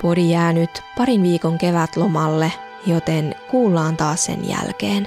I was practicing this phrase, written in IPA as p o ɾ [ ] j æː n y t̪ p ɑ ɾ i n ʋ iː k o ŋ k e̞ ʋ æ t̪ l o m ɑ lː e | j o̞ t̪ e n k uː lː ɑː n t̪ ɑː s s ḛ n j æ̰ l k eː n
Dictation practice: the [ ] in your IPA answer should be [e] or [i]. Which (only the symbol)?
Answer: i